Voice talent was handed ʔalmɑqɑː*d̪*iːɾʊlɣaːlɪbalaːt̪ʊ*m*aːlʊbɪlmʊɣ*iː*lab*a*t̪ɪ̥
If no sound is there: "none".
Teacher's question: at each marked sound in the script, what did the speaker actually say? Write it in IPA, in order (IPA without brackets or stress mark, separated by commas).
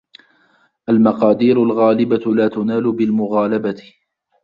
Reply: d̪, n, aː, a